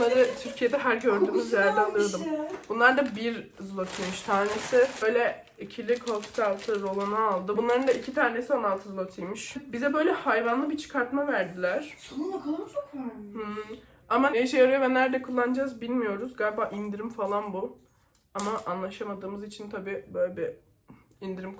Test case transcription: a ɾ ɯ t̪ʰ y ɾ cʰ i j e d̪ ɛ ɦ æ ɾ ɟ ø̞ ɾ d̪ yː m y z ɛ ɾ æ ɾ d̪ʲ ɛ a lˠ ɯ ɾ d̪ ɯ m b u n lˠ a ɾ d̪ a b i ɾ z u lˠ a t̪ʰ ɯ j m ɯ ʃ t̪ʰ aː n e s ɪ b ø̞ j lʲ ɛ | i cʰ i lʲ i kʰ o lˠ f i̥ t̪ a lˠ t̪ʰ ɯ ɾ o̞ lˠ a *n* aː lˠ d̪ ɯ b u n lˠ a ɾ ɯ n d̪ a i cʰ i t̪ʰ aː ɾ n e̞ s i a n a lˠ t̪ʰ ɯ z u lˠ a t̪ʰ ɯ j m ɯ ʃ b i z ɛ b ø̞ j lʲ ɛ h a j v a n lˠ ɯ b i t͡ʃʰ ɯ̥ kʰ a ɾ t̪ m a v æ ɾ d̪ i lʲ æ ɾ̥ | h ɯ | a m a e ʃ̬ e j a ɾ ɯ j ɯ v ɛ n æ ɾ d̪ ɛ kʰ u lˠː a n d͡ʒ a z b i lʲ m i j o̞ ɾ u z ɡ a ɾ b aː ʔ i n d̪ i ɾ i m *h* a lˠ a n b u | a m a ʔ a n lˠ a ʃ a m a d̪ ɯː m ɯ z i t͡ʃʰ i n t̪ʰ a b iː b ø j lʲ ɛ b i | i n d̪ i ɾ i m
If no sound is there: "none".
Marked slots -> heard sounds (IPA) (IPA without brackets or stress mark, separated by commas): n, f